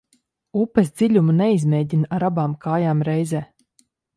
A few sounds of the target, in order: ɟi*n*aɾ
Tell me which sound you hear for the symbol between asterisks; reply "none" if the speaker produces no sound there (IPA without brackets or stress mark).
n